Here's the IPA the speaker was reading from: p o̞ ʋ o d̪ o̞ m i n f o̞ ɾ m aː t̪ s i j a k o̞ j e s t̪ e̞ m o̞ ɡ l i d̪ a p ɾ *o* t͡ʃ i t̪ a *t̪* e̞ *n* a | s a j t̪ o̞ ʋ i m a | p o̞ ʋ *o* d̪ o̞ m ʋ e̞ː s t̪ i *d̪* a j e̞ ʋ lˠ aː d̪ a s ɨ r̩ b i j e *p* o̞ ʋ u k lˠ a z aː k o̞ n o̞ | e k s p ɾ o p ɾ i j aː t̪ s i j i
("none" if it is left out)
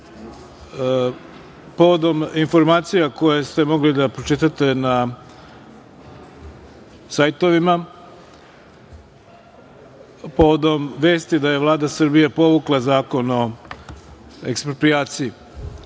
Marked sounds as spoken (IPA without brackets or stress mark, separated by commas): o, t̪, n, o, d̪, p